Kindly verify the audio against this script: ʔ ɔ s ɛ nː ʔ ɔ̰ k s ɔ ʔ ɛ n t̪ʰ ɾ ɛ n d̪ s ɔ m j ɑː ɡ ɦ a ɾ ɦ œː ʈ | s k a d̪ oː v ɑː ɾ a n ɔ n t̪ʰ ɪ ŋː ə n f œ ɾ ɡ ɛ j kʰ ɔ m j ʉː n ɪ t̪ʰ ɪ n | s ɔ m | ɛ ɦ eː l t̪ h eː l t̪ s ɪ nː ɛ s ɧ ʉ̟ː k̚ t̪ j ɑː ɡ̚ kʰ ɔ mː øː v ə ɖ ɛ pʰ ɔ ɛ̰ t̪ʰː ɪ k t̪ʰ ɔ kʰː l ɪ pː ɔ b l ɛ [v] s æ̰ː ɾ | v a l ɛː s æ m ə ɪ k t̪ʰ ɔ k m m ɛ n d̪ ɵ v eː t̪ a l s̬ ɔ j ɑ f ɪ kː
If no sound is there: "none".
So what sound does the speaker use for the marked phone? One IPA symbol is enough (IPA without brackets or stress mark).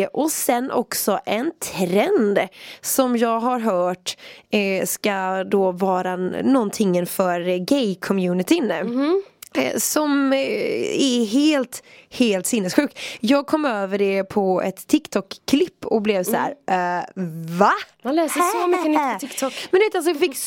v